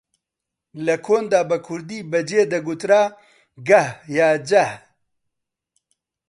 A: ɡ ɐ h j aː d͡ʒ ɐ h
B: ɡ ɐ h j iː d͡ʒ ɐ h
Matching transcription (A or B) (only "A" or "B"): A